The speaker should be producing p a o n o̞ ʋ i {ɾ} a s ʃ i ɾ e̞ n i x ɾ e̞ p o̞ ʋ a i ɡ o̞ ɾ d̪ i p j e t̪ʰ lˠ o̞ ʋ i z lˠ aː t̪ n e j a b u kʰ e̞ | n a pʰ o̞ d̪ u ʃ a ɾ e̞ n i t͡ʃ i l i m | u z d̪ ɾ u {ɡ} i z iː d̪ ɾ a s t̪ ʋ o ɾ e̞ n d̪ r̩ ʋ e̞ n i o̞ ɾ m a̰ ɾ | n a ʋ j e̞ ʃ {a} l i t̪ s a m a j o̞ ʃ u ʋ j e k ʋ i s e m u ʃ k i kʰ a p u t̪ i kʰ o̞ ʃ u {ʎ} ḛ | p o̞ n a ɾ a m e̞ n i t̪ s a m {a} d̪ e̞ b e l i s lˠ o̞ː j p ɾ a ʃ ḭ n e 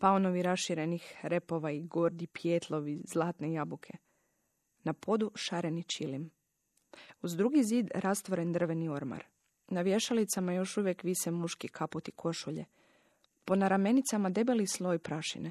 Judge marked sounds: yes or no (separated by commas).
yes, yes, yes, yes, yes